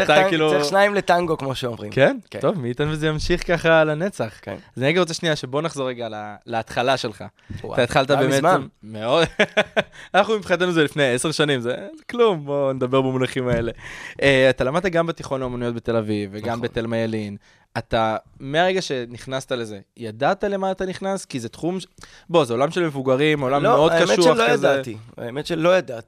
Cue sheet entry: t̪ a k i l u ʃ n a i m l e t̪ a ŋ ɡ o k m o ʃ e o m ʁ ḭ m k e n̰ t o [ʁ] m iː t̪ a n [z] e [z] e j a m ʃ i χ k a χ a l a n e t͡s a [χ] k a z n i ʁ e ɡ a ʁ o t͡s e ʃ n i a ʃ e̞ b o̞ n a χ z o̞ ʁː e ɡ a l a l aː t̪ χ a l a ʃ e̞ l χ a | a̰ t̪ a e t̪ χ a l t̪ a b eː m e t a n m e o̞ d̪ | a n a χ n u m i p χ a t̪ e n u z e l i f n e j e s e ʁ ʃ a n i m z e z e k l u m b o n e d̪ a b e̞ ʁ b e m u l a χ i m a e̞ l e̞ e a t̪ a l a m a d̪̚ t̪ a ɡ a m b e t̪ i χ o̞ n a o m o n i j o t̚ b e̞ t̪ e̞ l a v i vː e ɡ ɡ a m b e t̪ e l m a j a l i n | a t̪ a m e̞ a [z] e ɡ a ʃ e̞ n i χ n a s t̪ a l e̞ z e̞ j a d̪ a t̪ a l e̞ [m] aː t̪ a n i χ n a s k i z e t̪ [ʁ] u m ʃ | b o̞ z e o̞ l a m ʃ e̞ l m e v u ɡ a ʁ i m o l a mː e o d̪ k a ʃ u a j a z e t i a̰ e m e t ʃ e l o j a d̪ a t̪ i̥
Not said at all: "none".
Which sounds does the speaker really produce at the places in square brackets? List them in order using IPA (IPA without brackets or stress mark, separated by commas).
v, v, z, χ, ʁ, m, χ